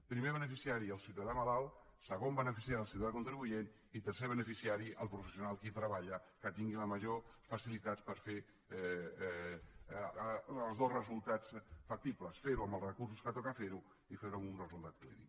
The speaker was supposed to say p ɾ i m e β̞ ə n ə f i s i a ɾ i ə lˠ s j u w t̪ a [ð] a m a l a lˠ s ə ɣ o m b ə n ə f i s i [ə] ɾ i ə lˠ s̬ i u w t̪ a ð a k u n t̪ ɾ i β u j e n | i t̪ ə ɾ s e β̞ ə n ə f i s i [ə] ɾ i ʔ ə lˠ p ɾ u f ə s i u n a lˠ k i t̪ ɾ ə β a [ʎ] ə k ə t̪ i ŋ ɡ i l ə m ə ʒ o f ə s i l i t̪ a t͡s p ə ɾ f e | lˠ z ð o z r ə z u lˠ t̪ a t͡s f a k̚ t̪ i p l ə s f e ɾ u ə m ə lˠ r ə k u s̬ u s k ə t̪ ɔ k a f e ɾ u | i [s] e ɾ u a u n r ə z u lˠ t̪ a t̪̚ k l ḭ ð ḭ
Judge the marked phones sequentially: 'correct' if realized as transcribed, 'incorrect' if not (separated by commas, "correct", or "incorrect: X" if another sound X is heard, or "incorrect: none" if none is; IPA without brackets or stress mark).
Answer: correct, incorrect: a, incorrect: a, correct, incorrect: f